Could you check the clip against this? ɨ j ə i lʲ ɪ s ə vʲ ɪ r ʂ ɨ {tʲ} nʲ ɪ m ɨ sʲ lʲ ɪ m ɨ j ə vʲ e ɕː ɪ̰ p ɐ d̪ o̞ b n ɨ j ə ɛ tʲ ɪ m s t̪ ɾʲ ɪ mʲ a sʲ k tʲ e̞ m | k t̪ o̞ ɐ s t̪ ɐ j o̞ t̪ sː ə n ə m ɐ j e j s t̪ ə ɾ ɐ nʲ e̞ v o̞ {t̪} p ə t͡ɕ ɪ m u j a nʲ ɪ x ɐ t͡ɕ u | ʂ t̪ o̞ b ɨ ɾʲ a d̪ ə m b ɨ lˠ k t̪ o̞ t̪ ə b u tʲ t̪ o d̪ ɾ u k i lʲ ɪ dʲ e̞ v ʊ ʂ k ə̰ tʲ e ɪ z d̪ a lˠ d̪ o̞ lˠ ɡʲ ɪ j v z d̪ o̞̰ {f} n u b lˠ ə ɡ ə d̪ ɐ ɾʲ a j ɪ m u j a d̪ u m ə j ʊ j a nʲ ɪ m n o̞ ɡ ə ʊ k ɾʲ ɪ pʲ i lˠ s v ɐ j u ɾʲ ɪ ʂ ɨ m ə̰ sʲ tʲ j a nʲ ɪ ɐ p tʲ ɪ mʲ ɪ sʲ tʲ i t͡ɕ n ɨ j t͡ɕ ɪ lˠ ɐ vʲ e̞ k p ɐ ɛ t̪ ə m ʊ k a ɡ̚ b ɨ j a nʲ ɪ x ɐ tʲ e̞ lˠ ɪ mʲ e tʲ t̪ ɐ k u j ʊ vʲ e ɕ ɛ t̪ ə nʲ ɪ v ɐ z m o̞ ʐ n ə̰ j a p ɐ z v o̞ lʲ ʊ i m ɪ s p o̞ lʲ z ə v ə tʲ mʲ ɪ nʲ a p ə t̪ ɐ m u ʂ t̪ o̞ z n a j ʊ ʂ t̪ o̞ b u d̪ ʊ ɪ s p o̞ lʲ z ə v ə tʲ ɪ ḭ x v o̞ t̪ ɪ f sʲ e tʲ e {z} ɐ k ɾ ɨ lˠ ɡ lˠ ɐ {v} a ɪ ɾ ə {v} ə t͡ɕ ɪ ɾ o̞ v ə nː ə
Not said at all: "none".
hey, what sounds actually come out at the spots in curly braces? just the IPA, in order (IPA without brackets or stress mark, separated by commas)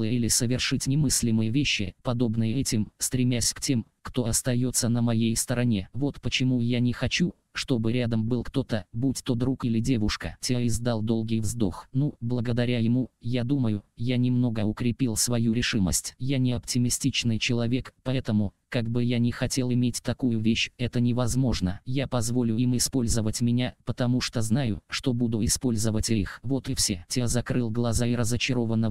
tʲ, t̪, x, z, z, z